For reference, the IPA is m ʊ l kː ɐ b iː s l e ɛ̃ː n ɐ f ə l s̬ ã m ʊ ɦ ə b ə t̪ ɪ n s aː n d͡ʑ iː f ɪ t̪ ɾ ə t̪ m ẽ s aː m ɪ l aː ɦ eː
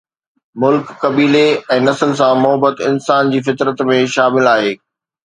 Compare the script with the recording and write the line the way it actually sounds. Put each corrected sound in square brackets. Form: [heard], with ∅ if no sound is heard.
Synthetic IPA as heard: m ʊ l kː ɐ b iː [∅] l e ɛ̃ː n ɐ [s] ə l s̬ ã m ʊ ɦ ə b ə t̪ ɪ n s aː n d͡ʑ iː f ɪ t̪ ɾ ə t̪ m ẽ [ʃ] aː m ɪ l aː ɦ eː